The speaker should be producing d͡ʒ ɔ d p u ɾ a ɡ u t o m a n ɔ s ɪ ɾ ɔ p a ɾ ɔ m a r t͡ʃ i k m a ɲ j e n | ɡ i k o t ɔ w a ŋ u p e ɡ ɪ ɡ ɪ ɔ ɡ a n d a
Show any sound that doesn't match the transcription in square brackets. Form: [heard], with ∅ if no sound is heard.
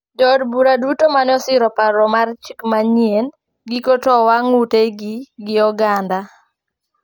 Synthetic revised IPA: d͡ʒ ɔ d [b] u ɾ a [d] u t o m a n ɔ s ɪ ɾ ɔ p a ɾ ɔ m a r t͡ʃ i k m a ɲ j e n | ɡ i k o t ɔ w a ŋ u [t] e ɡ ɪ ɡ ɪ ɔ ɡ a n d a